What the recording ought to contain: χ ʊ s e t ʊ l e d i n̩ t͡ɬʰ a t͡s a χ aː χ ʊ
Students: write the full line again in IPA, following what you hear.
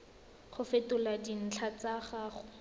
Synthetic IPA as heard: χ ʊ f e t ʊ l a d i n̩ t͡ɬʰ a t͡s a χ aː χ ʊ

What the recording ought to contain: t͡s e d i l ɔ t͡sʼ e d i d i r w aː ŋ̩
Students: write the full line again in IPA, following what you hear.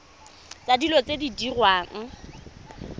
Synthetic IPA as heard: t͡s a d i l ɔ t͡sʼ e d i d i r w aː ŋ̩

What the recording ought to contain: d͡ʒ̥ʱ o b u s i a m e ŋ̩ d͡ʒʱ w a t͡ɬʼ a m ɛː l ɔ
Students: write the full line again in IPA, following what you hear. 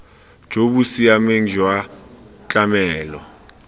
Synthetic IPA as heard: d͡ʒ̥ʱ o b u s i a m e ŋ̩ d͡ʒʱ w a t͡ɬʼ a m ɛː l ɔ

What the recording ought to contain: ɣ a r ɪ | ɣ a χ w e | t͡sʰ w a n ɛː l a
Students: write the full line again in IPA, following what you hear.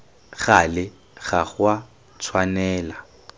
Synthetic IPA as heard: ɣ a l ɪ | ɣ a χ w a | t͡sʰ w a n ɛː l a

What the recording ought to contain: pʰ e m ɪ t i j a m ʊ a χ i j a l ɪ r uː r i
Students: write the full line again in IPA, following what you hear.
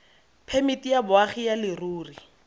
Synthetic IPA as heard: pʰ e m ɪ t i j a b ʊ a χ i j a l ɪ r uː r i

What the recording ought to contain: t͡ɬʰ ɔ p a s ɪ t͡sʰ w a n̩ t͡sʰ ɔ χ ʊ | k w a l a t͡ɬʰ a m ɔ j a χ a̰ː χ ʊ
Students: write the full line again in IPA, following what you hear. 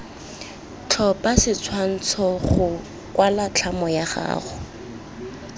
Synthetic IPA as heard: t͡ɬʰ ɔ p a s ɪ t͡sʰ w a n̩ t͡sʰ ɔ χ ʊ | k w a l a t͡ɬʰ a m ɔ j a χ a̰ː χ ʊ

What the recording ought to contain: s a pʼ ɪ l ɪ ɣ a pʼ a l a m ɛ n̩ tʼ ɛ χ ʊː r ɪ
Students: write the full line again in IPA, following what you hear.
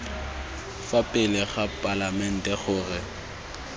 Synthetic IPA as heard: f a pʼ ɪ l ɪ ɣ a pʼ a l a m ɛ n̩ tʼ ɛ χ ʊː r ɪ

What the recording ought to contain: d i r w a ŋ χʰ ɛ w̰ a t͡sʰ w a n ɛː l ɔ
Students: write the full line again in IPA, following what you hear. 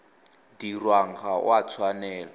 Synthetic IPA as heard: d i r w a ŋ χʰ a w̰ a t͡sʰ w a n ɛː l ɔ

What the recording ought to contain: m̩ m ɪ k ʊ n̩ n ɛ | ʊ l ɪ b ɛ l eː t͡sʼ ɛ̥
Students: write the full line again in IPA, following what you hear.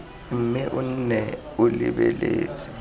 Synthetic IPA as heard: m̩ m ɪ ʔ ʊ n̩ n ɛ | ʊ l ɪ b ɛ l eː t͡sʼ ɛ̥

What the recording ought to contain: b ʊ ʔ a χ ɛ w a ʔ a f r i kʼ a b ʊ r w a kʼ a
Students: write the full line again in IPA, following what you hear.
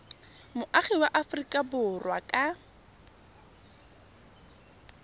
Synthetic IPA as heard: m ʊ ʔ a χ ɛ w a ʔ a f r i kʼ a b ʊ r w a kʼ a

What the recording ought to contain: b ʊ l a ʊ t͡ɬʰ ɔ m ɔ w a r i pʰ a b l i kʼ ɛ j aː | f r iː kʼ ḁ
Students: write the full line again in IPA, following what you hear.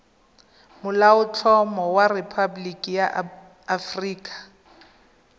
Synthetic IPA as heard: m ʊ l a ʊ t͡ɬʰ ɔ m ɔ w a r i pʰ a b l i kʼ i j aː | f r iː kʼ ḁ

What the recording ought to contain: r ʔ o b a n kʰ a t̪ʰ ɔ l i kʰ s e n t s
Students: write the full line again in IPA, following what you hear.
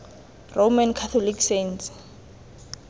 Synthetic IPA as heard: r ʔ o m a n kʰ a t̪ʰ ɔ l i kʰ s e n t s

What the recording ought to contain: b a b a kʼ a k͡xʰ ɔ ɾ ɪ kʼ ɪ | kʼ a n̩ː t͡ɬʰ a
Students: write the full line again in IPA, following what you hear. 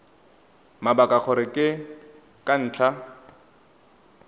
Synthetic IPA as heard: m a b a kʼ a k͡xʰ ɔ ɾ ɪ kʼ ɪ | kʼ a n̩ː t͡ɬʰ a

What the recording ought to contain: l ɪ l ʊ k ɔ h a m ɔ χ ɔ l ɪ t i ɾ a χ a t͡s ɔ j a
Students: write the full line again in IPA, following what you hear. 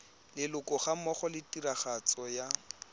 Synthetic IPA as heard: l ɪ l ʊ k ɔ χ a m ɔ χ ɔ l ɪ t i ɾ a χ a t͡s ɔ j a

